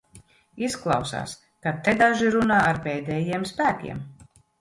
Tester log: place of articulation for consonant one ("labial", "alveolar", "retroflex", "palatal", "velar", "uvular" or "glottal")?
alveolar